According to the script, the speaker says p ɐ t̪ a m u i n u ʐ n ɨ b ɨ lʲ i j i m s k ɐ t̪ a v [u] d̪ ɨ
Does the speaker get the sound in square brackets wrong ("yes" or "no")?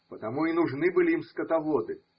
yes